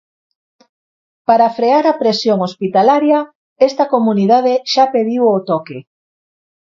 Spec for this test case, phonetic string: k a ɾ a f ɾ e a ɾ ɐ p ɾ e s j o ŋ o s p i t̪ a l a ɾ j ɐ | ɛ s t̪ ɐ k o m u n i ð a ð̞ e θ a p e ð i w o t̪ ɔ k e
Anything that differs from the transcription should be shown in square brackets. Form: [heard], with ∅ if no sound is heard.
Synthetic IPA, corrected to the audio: [p] a ɾ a f ɾ e a ɾ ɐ p ɾ e s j o ŋ o s p i t̪ a l a ɾ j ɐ | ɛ s t̪ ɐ k o m u n i ð a ð̞ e [ʃ] a p e ð i w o t̪ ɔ k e